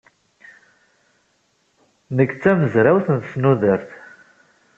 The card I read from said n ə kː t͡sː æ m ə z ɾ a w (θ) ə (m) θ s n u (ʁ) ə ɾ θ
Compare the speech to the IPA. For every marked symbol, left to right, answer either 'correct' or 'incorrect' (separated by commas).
correct, incorrect, incorrect